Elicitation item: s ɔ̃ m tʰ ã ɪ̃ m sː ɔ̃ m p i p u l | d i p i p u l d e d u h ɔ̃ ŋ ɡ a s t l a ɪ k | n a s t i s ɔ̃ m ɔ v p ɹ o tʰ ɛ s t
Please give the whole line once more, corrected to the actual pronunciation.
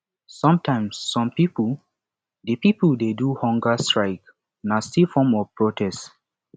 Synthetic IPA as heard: s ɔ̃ m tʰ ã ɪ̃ m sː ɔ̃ m p i p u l | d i p i p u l d e d u h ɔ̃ ŋ ɡ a s t ɹ a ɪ k | n a s t i f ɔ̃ m ɔ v p ɹ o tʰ ɛ s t

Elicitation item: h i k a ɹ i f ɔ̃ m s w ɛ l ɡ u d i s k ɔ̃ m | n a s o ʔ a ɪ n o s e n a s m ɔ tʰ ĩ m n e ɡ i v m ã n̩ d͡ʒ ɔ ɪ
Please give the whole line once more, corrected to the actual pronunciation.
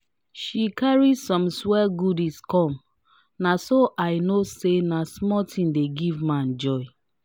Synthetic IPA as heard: ʃ i k a ɹ i s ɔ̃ m s w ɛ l ɡ u d i s k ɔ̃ m | n a s o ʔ a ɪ n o s e n a s m ɔ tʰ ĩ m d e ɡ i v m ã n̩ d͡ʒ ɔ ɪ

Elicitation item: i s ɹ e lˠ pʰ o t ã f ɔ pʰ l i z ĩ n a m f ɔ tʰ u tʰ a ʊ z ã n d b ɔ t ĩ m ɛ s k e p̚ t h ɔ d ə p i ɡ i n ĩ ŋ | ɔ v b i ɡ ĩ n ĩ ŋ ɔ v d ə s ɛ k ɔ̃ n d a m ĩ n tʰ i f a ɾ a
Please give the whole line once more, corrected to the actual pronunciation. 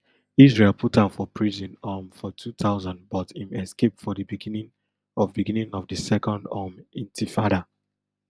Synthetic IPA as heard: i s ɹ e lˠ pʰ u t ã f ɔ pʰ ɹ i z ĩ n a m f ɔ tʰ u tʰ a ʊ z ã n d b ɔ t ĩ m ɛ s k e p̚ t f ɔ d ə b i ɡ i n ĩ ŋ | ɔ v b i ɡ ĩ n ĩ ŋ ɔ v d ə s ɛ k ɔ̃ n d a m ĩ n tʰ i f a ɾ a

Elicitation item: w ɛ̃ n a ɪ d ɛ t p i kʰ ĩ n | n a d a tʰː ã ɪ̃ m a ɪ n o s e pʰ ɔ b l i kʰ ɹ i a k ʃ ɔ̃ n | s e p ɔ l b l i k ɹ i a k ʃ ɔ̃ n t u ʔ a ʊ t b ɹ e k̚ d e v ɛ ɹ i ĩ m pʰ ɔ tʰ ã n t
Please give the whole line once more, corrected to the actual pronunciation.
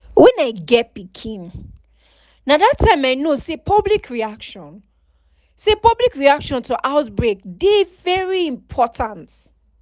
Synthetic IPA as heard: w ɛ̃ n a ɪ ɡ ɛ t p i kʰ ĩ n | n a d a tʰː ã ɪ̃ m a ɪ n o s e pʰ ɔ b l i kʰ ɹ i a k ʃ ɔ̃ n | s e p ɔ b l i k ɹ i a k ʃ ɔ̃ n t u ʔ a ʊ t b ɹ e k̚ d e v ɛ ɹ i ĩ m pʰ ɔ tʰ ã n t

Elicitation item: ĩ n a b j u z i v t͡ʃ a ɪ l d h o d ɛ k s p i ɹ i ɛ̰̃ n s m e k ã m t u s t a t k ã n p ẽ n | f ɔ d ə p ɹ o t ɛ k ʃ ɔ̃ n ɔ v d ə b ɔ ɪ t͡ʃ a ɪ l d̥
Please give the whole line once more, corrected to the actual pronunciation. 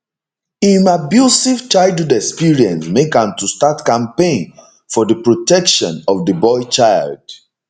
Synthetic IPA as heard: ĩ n a b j u s i v t͡ʃ a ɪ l d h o d ɛ k s p i ɹ i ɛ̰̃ n s m e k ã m t u s t a t k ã m p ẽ n | f ɔ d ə p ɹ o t ɛ k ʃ ɔ̃ n ɔ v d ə b ɔ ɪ t͡ʃ a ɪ l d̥

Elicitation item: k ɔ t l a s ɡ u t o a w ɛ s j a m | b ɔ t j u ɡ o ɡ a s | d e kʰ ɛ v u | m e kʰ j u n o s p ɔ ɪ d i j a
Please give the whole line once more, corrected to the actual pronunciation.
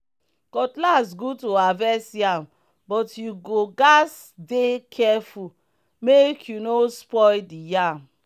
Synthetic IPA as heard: k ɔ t l a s ɡ u t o a v ɛ s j a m | b ɔ t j u ɡ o ɡ a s | d e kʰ ɛ f u | m e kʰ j u n o s p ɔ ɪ d i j a

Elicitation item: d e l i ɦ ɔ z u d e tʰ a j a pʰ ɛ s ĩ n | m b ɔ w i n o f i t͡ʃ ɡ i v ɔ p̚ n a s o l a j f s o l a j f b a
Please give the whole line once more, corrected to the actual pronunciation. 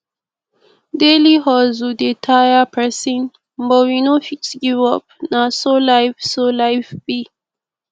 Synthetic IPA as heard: d e l i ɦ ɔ z u d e tʰ a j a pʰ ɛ s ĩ n | m b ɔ w i n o f i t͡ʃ ɡ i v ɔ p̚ n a s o l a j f s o l a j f b i

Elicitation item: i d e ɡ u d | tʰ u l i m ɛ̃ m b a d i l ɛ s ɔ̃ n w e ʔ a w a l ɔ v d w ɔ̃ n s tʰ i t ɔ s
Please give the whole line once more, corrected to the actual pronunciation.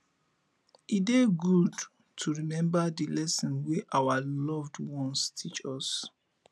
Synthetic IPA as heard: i d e ɡ u d | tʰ u ɹ i m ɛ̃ m b a d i l ɛ s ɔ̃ n w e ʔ a w a l ɔ v d w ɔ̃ n s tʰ i t͡ʃ ɔ s

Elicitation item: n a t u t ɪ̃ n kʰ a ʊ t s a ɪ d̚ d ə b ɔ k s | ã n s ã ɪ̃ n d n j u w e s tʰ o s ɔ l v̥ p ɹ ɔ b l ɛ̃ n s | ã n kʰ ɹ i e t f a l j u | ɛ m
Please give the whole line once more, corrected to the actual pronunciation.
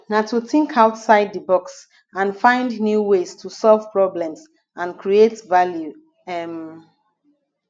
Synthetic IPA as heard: n a t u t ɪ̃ ŋ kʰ a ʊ t s a ɪ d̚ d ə b ɔ k s | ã n f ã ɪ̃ n d n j u w e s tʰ u s ɔ l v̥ p ɹ ɔ b l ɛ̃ m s | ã n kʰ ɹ i e t v a l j u | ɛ m

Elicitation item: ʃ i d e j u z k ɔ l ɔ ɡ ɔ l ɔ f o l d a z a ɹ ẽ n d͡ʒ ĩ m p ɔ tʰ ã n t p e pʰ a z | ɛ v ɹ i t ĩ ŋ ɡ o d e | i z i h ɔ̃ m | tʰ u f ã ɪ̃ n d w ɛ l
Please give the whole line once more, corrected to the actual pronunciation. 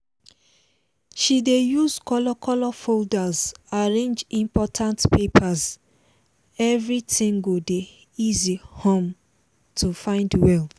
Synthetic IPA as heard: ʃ i d e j u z k ɔ l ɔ k ɔ l ɔ f o l d a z a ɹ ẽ n d͡ʒ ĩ m p ɔ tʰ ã n t p e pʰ a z | ɛ v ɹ i t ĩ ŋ ɡ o d e | i z i h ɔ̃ m | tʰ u f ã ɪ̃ n d w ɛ l

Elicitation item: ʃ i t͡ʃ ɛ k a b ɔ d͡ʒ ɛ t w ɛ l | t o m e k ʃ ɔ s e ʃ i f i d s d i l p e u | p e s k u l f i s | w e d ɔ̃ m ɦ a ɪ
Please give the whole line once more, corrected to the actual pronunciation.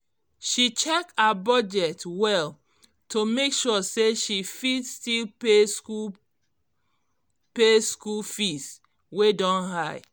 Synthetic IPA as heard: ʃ i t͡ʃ ɛ k a b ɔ d͡ʒ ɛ t w ɛ l | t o m e k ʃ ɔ s e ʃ i f i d s t i l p e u | p e s k u l f i s | w e d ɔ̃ n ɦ a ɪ

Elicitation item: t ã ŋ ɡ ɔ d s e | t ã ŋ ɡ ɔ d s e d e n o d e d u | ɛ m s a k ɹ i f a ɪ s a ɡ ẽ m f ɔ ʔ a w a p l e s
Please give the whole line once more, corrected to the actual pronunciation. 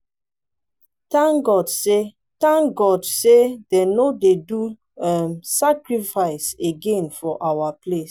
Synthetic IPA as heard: t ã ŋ ɡ ɔ d s e | t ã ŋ ɡ ɔ d s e d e n o d e d u | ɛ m s a k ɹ i f a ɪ s e ɡ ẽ n f ɔ ʔ a w a p l e s

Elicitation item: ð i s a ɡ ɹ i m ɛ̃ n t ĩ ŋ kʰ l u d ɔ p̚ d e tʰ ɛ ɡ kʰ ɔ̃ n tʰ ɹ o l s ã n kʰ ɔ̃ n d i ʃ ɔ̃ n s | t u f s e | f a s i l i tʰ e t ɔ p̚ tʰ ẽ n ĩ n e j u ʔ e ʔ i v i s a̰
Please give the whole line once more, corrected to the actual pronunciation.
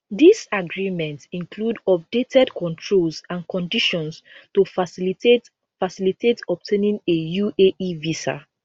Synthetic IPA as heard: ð i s a ɡ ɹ i m ɛ̃ n t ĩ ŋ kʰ l u d ɔ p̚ d e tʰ ɛ d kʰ ɔ̃ n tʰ ɹ o l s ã n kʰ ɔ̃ n d i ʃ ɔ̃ n s | t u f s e | f a s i l i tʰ e t ɔ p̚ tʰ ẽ n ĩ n e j u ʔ e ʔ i v i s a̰

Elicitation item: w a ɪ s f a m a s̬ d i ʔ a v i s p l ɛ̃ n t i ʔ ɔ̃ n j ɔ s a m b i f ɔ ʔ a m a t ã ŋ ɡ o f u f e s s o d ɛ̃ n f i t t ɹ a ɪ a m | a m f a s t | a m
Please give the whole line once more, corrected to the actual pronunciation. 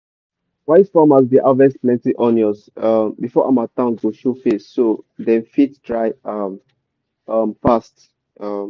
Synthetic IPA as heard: w a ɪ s f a m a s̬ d i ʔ a v ɛ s p l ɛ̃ n t i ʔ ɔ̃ n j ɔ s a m b i f ɔ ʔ a m a t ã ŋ ɡ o ʃ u f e s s o d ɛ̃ n f i t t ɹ a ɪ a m | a m f a s t | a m

